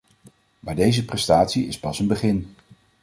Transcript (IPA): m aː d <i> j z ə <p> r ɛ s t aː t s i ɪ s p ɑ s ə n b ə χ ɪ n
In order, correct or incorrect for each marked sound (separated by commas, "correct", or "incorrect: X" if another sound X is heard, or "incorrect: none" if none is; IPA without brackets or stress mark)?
incorrect: e, correct